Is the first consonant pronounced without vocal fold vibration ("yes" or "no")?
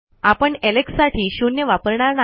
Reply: yes